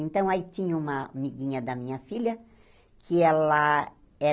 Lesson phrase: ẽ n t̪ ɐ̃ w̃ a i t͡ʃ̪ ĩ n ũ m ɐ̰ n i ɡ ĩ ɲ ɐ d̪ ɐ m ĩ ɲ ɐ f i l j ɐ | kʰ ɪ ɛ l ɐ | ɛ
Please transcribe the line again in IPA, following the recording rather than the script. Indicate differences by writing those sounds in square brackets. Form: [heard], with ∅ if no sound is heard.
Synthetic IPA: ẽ n t̪ ɐ̃ w̃ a i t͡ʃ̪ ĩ [ɲ] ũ m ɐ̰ [m] i ɡ ĩ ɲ ɐ d̪ ɐ m ĩ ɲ ɐ f i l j ɐ | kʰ ɪ ɛ l ɐ | ɛ